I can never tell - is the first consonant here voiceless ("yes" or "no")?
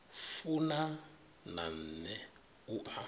yes